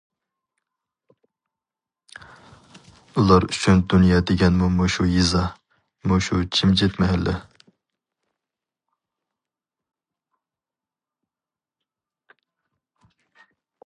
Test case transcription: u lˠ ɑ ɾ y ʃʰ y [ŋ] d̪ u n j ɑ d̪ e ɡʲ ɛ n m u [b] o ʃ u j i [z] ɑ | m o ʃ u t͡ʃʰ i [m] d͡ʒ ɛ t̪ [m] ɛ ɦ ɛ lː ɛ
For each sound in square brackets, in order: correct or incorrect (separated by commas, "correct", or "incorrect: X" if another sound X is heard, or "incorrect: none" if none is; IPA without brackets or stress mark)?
incorrect: n, incorrect: m, correct, correct, correct